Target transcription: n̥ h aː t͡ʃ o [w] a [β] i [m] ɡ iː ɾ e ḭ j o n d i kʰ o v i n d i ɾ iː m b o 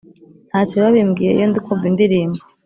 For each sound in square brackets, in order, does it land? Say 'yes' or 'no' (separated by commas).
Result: no, yes, yes